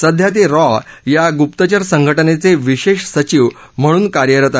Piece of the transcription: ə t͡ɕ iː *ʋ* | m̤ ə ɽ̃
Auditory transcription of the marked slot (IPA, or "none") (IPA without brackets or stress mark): ʋ